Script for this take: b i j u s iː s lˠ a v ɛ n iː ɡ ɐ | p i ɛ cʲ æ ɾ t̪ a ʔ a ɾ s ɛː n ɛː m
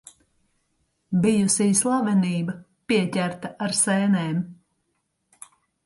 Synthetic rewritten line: b i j u s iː s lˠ a v ɛ n iː b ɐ | p i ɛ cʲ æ ɾ t̪ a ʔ a ɾ s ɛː n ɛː m